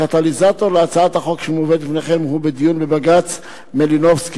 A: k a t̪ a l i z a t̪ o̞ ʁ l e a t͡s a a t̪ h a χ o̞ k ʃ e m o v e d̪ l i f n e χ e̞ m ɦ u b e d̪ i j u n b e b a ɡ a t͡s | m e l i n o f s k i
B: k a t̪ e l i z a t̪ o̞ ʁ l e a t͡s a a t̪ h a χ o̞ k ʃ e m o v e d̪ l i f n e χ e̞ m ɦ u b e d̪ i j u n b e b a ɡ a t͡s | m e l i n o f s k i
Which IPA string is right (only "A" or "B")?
A